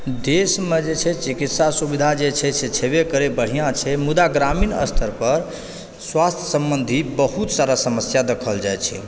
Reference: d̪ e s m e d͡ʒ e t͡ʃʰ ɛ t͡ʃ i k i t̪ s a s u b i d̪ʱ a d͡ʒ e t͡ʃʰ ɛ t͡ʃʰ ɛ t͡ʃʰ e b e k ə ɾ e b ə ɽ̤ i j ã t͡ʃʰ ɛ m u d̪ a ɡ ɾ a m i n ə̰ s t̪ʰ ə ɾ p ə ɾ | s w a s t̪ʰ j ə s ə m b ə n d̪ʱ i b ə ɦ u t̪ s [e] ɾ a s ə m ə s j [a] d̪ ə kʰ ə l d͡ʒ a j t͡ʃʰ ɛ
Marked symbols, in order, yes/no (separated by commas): no, yes